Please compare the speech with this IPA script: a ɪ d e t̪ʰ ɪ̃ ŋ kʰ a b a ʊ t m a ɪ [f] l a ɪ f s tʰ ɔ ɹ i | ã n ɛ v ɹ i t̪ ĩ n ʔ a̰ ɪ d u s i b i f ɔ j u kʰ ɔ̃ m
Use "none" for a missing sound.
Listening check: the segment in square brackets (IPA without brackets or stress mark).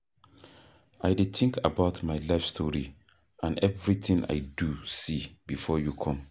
none